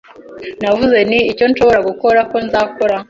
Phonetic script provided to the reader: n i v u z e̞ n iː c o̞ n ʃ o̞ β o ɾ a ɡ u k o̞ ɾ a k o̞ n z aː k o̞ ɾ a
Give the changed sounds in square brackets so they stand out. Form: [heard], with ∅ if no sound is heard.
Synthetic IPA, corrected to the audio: n [a] v u z e̞ n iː c o̞ n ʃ o̞ β o ɾ a ɡ u k o̞ ɾ a k o̞ n z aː k o̞ ɾ a